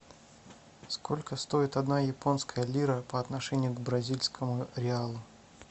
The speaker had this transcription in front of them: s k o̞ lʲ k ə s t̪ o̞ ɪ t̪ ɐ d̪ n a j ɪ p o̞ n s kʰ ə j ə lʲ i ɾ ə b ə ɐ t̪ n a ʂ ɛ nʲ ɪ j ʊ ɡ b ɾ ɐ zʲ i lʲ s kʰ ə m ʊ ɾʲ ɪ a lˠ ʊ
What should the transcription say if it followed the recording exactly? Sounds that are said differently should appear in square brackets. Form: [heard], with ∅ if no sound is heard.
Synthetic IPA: s k o̞ lʲ k ə s t̪ o̞ ɪ t̪ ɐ d̪ n a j ɪ p o̞ n s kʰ ə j ə lʲ i ɾ ə [p] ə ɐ t̪ n [ɐ] ʂ ɛ nʲ ɪ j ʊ ɡ b ɾ ɐ zʲ i lʲ s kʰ ə m ʊ ɾʲ ɪ a lˠ ʊ